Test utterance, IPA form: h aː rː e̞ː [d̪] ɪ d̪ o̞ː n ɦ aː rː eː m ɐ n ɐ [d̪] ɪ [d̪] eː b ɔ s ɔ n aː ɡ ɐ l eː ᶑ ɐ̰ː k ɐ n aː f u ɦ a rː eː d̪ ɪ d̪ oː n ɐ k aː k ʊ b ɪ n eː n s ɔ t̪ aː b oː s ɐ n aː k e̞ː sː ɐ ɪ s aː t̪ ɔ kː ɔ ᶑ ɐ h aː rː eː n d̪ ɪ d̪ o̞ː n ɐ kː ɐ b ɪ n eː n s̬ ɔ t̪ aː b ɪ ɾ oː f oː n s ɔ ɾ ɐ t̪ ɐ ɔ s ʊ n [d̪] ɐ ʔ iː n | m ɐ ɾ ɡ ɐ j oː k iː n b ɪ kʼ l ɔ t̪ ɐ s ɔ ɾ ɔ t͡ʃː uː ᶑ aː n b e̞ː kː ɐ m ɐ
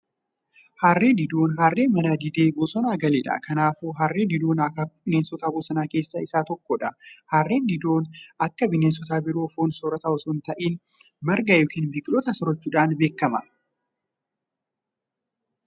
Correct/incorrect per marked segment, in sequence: correct, correct, correct, incorrect: t̪

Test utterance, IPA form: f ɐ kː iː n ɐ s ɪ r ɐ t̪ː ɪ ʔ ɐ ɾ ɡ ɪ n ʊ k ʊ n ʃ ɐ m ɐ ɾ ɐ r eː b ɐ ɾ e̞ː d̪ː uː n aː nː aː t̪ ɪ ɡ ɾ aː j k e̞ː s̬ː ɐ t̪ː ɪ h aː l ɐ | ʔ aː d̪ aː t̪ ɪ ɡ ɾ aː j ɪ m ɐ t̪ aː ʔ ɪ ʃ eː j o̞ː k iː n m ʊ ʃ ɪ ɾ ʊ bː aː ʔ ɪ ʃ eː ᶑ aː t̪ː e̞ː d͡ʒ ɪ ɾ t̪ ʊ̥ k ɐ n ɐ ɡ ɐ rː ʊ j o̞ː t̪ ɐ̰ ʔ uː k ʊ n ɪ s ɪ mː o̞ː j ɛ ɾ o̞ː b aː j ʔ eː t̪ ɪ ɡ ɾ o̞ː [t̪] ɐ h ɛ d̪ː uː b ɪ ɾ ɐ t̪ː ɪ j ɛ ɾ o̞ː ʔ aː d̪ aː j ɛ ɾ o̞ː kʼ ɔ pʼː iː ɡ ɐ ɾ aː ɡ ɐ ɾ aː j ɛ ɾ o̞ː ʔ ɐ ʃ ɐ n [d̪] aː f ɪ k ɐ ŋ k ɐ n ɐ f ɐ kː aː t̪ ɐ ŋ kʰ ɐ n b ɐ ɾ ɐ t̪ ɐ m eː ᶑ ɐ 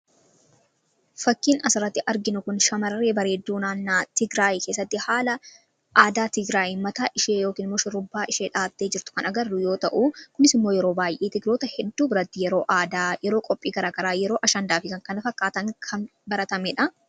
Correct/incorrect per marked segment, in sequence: correct, correct

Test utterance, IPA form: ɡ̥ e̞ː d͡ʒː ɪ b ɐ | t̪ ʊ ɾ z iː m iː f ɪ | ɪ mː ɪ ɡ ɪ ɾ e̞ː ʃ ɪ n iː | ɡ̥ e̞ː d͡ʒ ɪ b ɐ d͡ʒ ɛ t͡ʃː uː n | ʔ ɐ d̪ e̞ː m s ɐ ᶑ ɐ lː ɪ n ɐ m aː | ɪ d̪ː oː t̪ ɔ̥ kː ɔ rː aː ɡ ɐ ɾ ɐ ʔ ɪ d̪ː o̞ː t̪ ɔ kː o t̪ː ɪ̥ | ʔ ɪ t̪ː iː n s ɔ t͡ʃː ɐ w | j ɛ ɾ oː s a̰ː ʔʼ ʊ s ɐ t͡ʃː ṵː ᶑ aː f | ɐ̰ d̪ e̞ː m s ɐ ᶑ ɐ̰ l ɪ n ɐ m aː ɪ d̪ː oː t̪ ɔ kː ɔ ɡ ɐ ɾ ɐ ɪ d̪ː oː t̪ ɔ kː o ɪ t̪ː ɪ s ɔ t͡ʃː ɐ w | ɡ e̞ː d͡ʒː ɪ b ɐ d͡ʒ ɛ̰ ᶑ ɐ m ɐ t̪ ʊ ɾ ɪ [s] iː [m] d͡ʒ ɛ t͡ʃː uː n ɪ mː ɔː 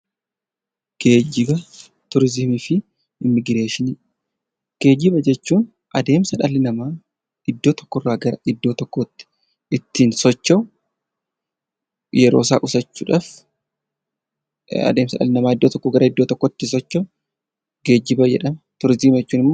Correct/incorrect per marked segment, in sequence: incorrect: z, correct

